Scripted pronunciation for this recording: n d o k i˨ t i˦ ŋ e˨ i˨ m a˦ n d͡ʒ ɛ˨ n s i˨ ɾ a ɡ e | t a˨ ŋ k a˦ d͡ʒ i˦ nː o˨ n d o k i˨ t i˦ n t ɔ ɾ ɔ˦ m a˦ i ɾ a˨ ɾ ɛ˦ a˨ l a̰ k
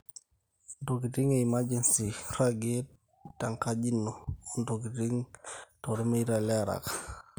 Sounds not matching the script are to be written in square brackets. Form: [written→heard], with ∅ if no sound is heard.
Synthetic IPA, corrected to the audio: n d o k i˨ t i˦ ŋ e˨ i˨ m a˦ [n→∅] d͡ʒ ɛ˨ n s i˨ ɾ a ɡ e | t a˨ ŋ k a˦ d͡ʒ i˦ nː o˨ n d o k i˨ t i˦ [n→ŋ] t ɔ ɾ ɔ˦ m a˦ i ɾ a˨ [ɾ→l] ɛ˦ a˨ [l→ɾ] a̰ k